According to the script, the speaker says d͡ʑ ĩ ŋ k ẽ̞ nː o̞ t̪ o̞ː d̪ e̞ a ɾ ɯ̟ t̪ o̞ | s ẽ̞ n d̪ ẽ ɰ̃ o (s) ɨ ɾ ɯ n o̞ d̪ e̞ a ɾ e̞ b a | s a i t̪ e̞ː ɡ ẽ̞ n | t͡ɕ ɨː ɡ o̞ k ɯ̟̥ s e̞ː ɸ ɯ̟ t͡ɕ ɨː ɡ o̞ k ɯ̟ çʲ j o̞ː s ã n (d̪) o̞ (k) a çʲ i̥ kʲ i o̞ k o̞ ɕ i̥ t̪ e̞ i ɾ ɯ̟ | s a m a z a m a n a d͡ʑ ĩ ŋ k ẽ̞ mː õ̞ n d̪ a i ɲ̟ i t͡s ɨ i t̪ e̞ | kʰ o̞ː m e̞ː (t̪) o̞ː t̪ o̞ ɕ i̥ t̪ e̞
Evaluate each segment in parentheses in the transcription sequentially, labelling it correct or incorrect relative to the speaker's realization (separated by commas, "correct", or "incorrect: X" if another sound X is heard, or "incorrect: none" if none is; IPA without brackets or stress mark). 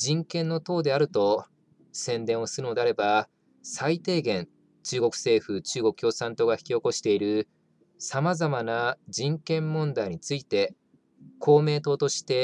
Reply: correct, incorrect: t̪, incorrect: ɡ, correct